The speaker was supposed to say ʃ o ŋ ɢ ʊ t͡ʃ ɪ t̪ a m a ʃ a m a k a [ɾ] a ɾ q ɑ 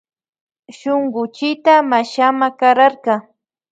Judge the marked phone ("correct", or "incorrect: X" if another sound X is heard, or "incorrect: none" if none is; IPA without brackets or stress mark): correct